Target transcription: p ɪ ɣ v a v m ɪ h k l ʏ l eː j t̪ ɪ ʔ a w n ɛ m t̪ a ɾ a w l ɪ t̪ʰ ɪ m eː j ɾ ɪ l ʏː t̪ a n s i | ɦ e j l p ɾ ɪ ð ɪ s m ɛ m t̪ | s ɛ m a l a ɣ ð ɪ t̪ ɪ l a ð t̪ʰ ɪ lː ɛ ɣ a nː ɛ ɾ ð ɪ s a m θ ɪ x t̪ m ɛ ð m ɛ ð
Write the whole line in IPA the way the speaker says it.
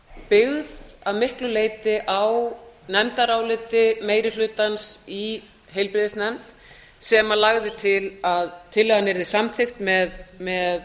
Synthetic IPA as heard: p ɪ ɣ ð a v m ɪ h k l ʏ l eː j t̪ ɪ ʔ a w n ɛ m t̪ a ɾ a w l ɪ t̪ ɪ m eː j ɾ ɪ l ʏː t̪ a n s i | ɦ e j l p ɾ ɪ ð ɪ s n ɛ m t̪ | s ɛ m a l a ɣ ð ɪ t̪ʰ ɪ l a ð t̪ʰ ɪ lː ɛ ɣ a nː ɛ ɾ ð ɪ s a m θ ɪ x t̪ m ɛ ð m ɛ ð